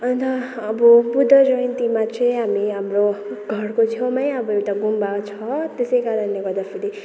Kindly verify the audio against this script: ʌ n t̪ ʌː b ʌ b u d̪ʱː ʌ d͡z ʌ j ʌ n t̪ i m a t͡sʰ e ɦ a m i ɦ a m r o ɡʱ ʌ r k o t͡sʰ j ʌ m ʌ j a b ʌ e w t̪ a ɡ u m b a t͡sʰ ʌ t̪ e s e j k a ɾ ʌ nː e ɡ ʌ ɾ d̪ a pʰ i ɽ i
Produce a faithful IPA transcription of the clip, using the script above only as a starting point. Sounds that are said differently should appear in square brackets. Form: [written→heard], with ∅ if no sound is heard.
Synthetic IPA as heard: ʌ n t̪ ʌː b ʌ b u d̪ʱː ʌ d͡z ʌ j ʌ n t̪ i m a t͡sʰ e ɦ a m i ɦ a m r o ɡʱ ʌ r k o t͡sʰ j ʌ m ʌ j [a→ʌ] b ʌ e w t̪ a ɡ u m b a t͡sʰ ʌ t̪ e s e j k a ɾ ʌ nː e ɡ ʌ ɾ d̪ a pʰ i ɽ i